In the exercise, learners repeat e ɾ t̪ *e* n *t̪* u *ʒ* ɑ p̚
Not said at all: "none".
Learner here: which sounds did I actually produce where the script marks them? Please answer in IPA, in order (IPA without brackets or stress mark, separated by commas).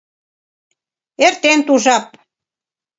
e, t̪, ʒ